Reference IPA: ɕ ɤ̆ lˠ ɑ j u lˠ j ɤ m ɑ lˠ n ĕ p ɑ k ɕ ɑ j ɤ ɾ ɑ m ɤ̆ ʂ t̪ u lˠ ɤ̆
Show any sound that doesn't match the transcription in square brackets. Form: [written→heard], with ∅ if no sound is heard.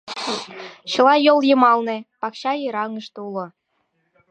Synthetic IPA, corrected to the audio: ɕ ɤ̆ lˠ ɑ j [u→o] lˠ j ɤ m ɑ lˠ n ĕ p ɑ k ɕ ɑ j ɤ ɾ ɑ [m→ŋ] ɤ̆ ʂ t̪ u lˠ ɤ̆